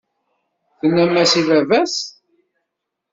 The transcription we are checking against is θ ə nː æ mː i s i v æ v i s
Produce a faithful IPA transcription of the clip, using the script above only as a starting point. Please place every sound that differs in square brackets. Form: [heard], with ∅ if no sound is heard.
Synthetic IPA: θ ə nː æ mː [æ] s i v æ v [æ] s